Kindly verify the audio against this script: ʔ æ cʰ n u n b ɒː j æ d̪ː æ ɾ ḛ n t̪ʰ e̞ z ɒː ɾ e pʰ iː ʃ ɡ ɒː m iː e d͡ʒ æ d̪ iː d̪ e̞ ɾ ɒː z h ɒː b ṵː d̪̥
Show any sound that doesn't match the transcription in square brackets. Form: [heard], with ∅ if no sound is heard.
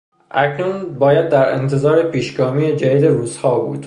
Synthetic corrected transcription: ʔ æ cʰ n u n b ɒː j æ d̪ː æ ɾ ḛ n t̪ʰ e̞ z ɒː ɾ e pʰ iː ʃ ɡ ɒː m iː e d͡ʒ æ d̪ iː d̪ e̞ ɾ [uː] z h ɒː b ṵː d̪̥